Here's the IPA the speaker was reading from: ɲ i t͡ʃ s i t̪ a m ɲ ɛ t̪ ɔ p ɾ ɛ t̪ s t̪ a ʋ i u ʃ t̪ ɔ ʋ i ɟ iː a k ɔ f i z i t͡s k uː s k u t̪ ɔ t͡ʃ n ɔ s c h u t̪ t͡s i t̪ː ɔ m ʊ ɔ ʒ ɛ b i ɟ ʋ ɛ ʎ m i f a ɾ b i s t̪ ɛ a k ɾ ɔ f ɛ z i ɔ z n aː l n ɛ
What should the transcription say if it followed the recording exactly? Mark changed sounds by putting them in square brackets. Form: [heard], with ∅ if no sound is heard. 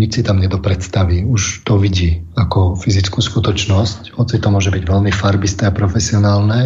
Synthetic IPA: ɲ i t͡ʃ s i t̪ a m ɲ ɛ [d̪] ɔ p ɾ ɛ t̪ s t̪ a ʋ i u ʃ t̪ ɔ ʋ i ɟ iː a k ɔ f i z i t͡s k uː s k u t̪ ɔ t͡ʃ n ɔ s c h [ɔ] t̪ t͡s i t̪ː ɔ m ʊ ɔ ʒ ɛ b i ɟ ʋ ɛ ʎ m i f a ɾ b i s t̪ ɛ a [p] ɾ ɔ f ɛ [s] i ɔ [∅] n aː l n ɛ